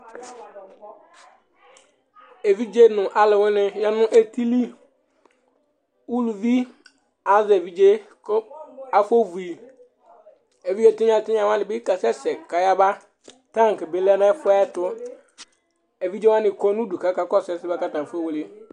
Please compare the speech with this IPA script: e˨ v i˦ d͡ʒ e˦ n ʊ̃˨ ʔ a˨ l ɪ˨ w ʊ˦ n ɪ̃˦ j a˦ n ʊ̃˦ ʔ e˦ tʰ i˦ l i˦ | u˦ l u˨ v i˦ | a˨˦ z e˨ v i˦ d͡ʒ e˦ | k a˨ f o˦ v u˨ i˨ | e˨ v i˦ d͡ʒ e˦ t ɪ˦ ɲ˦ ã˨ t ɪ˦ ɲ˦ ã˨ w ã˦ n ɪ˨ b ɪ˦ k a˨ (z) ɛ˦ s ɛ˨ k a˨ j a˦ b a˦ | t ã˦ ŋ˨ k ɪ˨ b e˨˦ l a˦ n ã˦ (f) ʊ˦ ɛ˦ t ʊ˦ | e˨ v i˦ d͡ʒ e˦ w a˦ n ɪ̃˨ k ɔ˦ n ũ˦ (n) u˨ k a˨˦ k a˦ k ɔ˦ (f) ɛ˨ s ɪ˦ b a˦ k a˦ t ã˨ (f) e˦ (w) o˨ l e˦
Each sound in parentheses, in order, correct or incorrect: incorrect: s, correct, incorrect: d, incorrect: s, correct, correct

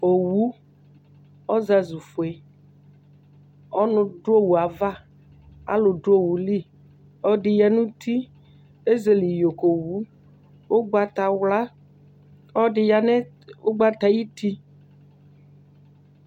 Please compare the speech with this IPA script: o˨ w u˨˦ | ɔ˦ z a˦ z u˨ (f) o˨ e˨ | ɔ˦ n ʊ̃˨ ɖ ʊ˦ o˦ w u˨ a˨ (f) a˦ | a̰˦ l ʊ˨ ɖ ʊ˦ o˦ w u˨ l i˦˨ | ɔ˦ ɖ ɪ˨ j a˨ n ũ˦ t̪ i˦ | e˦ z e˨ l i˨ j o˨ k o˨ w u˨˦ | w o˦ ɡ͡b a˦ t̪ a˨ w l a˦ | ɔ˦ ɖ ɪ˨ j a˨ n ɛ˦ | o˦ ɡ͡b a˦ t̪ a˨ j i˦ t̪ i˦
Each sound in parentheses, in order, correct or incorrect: correct, incorrect: v

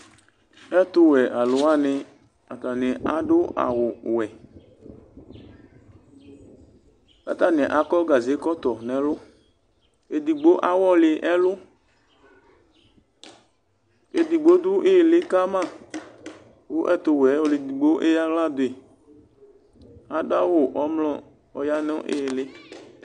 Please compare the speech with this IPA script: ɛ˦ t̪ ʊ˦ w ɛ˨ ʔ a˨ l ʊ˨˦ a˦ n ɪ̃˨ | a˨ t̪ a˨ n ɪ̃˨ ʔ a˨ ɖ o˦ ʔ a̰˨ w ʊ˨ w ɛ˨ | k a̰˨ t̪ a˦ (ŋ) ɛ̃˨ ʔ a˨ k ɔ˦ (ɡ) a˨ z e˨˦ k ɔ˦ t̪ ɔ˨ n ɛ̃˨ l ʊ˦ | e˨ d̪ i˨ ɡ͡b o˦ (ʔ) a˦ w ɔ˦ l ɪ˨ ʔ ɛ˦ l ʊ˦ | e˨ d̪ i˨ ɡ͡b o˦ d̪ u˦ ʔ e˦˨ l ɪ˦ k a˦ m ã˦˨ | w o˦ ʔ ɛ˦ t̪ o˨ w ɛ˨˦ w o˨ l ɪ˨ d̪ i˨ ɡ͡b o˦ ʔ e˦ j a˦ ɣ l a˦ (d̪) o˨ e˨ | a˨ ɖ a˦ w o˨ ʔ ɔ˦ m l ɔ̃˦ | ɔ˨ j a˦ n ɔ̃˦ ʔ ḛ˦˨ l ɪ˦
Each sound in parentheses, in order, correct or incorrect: incorrect: n, correct, correct, correct

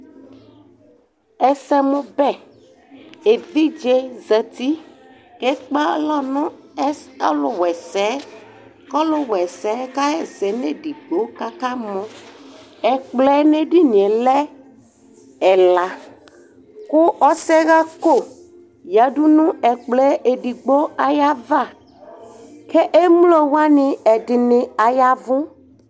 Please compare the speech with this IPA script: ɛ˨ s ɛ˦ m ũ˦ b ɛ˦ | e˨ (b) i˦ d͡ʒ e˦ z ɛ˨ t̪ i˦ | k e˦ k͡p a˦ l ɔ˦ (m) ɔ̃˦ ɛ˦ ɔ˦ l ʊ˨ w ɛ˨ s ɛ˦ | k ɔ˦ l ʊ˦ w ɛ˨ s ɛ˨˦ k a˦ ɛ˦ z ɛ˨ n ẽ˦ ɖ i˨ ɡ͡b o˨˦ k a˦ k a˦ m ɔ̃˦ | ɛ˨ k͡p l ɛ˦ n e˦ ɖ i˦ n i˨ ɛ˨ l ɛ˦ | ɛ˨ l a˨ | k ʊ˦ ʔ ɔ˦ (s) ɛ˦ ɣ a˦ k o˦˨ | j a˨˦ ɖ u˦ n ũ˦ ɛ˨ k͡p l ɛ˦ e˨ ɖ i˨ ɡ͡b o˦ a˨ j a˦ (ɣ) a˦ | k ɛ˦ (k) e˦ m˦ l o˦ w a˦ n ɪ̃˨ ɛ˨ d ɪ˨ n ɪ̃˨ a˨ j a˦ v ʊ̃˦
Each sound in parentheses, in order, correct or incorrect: incorrect: v, incorrect: n, correct, incorrect: v, incorrect: ʔ

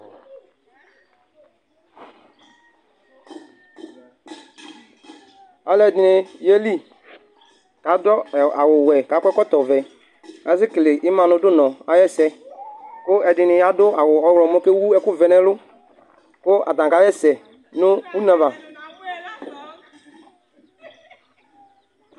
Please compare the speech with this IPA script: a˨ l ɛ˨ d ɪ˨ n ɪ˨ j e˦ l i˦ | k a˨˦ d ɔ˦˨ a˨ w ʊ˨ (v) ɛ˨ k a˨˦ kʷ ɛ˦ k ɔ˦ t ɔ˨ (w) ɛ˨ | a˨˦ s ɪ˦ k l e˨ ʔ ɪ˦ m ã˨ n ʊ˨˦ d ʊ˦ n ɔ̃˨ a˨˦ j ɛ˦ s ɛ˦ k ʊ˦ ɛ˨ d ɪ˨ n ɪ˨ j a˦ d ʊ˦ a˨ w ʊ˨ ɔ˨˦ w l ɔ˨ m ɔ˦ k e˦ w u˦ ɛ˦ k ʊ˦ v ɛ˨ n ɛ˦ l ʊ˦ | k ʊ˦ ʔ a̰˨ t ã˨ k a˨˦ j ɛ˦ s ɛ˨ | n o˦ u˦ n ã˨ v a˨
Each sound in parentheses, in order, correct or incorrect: incorrect: w, incorrect: v

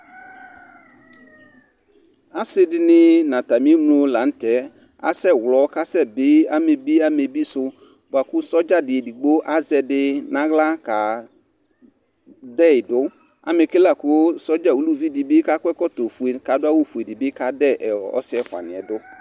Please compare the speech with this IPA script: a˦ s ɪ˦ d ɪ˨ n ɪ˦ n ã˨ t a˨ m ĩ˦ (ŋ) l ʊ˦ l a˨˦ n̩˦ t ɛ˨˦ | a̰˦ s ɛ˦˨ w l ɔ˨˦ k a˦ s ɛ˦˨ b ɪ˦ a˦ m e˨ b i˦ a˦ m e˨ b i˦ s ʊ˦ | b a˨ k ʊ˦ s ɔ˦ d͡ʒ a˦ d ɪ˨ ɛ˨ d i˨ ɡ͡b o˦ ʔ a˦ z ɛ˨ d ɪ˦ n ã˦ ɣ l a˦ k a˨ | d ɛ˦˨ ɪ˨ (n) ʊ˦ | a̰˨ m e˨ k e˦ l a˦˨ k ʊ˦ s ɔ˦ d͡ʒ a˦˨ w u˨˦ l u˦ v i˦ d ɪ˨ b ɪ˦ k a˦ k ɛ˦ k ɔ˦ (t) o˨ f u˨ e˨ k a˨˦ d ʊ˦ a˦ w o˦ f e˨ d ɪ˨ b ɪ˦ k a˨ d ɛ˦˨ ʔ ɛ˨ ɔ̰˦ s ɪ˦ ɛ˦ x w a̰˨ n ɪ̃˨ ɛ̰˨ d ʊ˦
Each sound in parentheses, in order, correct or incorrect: incorrect: m, incorrect: d, correct

